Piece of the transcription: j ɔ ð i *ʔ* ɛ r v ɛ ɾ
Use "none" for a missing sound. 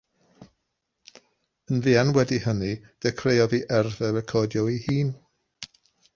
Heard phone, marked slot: ʔ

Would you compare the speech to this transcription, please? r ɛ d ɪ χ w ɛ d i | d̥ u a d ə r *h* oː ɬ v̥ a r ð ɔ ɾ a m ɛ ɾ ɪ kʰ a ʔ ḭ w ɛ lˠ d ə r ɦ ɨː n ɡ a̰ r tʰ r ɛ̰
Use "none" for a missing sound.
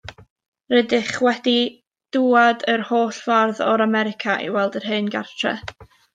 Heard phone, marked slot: h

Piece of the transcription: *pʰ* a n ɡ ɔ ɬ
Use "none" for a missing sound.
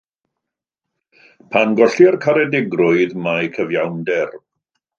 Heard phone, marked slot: pʰ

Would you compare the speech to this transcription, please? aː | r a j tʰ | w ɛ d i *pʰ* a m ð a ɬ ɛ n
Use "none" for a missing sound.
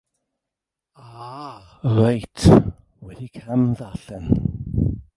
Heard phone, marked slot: kʰ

